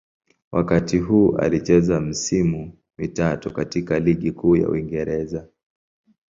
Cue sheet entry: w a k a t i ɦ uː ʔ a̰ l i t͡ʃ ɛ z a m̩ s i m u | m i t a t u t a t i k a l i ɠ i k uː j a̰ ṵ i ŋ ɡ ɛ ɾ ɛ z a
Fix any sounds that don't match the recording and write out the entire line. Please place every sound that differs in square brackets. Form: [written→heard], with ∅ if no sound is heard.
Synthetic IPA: w a k a t i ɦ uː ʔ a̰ l i t͡ʃ ɛ z a m̩ s i m u | m i t a t u [t→k] a t i k a l i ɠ i k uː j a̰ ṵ i ŋ ɡ ɛ ɾ ɛ z a